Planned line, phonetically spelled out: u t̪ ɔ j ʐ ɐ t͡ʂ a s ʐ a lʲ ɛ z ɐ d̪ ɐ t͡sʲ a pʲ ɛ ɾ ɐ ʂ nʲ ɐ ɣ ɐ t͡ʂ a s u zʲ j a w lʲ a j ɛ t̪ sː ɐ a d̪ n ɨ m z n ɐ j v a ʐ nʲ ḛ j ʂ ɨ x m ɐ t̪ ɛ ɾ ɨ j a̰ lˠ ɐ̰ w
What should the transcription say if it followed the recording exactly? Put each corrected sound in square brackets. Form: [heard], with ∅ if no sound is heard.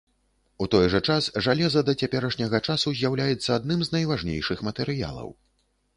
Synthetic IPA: u t̪ ɔ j ʐ ɐ t͡ʂ a s ʐ a lʲ ɛ z ɐ d̪ ɐ t͡sʲ a pʲ ɛ ɾ ɐ ʂ nʲ ɐ ɣ ɐ t͡ʂ a s u zʲ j a w lʲ a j ɛ t̪ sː ɐ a d̪ n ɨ m z n ɐ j v a ʐ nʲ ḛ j ʂ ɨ x m ɐ t̪ ɛ ɾ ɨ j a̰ lˠ ɐ̰ w